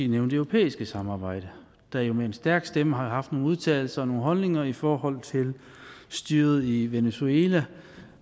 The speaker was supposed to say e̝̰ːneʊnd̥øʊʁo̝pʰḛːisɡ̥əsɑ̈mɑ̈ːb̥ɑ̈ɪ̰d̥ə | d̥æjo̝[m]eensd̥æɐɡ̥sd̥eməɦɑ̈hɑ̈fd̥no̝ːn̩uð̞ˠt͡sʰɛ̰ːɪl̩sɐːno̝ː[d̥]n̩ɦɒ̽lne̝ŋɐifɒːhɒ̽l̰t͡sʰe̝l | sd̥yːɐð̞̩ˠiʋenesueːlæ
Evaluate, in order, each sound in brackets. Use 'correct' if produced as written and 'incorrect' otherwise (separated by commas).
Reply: correct, incorrect